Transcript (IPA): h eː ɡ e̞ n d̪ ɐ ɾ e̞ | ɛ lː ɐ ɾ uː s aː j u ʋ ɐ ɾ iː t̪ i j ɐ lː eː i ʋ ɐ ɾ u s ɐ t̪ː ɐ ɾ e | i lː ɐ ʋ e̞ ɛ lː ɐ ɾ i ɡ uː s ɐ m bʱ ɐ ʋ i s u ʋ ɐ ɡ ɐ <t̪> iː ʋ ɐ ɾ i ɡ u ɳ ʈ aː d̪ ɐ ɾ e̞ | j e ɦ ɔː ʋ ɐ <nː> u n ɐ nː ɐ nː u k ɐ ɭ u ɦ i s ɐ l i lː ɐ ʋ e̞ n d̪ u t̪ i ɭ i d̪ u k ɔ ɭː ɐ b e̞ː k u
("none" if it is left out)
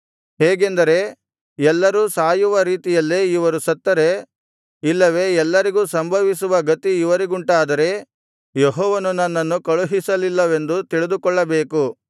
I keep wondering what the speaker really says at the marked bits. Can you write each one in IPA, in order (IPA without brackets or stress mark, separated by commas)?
t̪, n